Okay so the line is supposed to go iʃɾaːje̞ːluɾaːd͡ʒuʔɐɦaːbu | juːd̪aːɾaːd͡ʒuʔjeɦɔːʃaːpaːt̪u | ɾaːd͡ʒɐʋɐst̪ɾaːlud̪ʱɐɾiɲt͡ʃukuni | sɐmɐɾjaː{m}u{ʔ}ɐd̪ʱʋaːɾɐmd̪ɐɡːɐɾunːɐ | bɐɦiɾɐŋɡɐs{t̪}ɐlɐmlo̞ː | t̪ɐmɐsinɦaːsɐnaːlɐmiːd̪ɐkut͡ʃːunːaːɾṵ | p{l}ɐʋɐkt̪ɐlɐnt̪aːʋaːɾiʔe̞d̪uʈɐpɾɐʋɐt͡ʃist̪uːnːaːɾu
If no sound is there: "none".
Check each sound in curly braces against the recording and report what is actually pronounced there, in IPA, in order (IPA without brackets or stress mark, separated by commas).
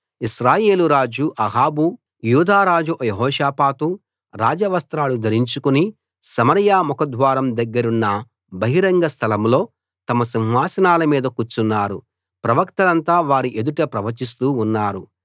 m, k, t̪ʰ, ɾ